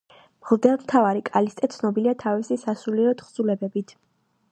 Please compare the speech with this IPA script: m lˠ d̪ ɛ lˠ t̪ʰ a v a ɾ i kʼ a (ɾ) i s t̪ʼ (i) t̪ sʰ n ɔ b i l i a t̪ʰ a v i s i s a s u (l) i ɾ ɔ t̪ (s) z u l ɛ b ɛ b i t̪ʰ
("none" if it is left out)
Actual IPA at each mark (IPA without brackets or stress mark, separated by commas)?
l, ɛ, l, χ